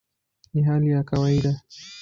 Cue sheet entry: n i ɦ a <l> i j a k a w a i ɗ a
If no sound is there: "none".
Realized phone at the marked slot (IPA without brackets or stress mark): l